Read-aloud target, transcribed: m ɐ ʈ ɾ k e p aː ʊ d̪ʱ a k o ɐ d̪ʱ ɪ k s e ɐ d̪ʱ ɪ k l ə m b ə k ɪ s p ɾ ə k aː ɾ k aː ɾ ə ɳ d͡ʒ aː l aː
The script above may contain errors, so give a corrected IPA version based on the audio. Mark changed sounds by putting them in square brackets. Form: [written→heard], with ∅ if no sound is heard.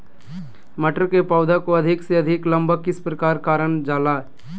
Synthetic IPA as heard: m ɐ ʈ ɾ k e p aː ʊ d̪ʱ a k o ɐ d̪ʱ ɪ k s e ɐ d̪ʱ ɪ k l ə m b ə k ɪ s p ɾ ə k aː ɾ k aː ɾ ə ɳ d͡ʒ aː l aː